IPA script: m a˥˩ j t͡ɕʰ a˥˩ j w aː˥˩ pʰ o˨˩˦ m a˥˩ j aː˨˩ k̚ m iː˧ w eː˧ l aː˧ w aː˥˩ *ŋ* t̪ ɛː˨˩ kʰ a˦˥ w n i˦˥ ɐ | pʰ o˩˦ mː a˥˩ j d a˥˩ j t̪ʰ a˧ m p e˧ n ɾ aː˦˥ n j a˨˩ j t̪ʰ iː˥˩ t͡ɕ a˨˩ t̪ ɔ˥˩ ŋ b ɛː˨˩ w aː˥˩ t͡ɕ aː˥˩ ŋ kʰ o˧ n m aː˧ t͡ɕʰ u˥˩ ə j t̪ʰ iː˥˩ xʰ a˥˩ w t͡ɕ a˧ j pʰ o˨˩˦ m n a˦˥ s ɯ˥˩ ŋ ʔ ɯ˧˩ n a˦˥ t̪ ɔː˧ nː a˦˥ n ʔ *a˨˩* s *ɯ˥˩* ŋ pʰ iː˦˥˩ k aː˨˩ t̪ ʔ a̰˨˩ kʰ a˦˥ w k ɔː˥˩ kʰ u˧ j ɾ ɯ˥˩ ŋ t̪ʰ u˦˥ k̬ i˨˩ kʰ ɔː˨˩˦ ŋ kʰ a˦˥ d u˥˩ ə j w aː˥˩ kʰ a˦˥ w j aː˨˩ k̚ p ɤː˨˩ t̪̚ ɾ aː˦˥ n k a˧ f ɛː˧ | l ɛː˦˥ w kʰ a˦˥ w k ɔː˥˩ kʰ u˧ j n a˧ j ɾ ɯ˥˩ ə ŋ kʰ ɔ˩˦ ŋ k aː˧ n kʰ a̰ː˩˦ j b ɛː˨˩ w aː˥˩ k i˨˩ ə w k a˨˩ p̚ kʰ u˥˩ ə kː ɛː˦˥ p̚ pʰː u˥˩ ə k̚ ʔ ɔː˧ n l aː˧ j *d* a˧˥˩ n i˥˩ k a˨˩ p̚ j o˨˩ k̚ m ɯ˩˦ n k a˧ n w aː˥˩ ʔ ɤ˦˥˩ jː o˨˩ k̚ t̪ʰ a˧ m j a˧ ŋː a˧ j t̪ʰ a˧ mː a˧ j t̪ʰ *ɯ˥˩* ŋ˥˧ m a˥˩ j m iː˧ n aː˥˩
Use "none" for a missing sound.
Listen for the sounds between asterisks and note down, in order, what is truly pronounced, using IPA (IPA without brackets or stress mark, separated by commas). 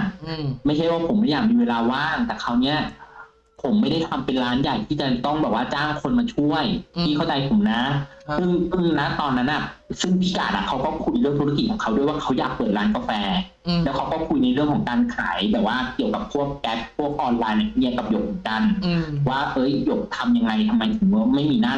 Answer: ŋ, a˨˩, ɯ˥˩, n, ɯ˨˩˦